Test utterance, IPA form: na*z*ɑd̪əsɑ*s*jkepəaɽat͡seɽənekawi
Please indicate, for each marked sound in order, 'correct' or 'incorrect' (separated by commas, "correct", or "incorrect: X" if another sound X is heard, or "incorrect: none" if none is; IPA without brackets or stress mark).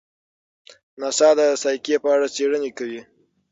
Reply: incorrect: s, incorrect: none